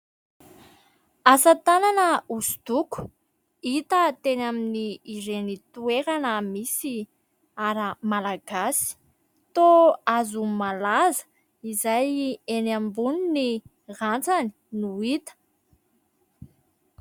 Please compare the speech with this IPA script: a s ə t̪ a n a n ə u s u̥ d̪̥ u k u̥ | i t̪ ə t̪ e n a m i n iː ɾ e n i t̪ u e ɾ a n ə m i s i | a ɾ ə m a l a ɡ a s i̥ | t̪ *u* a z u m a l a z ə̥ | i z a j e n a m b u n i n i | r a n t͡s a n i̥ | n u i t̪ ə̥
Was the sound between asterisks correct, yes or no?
no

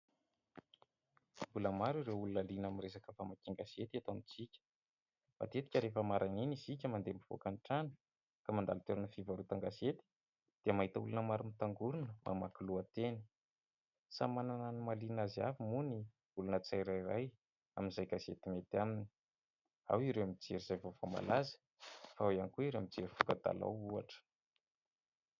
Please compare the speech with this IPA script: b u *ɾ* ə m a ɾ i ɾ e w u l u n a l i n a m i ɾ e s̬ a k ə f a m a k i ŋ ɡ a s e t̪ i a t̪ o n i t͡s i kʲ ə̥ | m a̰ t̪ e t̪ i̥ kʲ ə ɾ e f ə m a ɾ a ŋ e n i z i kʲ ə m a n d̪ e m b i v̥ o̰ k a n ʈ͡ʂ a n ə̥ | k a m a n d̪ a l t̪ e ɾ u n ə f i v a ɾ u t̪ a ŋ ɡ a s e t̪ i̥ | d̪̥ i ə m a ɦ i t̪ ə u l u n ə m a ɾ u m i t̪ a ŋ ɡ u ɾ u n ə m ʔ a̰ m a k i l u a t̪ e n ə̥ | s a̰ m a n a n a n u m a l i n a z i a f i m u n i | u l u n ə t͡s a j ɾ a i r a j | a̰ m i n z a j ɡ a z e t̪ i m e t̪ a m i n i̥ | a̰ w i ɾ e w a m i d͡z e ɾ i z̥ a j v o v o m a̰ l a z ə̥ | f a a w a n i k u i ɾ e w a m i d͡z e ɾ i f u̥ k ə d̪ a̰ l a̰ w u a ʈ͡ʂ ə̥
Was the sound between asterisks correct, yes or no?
no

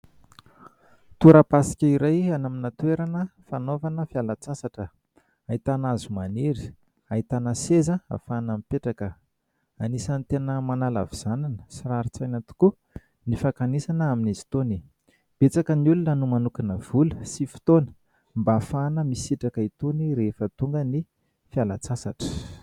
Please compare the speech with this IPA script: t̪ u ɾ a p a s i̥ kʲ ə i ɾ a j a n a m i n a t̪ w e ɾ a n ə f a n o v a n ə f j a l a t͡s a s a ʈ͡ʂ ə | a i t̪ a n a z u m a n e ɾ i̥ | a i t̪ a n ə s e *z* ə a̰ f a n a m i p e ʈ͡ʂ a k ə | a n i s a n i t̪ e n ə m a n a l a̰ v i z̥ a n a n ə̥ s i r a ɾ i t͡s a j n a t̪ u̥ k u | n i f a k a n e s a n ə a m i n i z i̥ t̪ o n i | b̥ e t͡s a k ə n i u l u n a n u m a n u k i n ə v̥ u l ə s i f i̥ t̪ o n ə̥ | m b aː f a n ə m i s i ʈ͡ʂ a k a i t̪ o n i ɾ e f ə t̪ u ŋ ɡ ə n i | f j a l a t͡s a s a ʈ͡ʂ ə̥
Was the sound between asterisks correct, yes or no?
yes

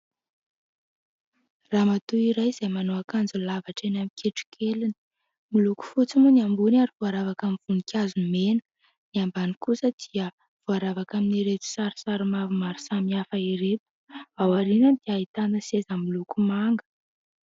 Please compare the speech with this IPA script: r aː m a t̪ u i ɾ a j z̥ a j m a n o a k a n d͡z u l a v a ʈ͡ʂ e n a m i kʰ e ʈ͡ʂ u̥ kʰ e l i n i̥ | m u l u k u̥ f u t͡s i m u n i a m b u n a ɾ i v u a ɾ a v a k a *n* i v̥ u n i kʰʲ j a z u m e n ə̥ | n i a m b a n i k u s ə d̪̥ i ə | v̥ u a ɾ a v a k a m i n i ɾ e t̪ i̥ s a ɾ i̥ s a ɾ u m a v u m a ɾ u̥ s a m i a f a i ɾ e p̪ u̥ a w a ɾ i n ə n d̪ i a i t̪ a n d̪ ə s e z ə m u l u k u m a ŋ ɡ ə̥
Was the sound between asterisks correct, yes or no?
no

